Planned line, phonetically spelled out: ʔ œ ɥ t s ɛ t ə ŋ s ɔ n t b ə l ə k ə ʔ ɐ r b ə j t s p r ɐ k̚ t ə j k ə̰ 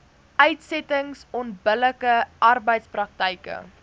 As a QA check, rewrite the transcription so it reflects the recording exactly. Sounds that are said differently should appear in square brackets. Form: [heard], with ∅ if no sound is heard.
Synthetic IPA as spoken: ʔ œ ɥ t s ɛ t ə ŋ s ɔ n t b ə l ə k ə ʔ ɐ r b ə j t s p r ɐ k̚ t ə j k ə̰